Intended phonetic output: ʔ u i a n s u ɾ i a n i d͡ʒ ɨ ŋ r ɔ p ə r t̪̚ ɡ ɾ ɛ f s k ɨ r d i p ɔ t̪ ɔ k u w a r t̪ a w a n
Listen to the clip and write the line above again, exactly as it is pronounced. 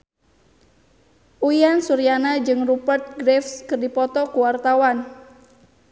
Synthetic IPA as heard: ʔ u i a n s u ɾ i a n a d͡ʒ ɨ ŋ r u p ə r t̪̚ ɡ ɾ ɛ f s k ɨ r d i p ɔ t̪ ɔ k u w a r t̪ a w a n